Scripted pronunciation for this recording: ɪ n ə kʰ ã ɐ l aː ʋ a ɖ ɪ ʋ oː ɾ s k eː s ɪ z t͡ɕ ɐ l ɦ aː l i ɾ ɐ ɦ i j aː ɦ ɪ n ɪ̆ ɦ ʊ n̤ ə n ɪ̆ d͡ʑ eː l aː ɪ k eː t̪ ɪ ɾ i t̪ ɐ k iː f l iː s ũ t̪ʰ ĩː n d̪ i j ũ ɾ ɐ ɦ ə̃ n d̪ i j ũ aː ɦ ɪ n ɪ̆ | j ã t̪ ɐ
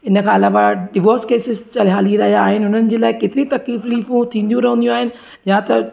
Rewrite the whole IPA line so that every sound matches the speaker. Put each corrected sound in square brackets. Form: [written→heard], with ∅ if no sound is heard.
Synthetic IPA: ɪ n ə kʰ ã ɐ l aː ʋ a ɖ ɪ ʋ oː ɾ s k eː s ɪ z t͡ɕ ɐ l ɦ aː l i ɾ ɐ ɦ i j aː ɦ ɪ n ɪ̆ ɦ ʊ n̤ ə n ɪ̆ d͡ʑ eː l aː ɪ k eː t̪ ɪ ɾ i t̪ ɐ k iː f l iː [s→f] ũ t̪ʰ ĩː n d̪ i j ũ ɾ ɐ ɦ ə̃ n d̪ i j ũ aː ɦ ɪ n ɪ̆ | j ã t̪ ɐ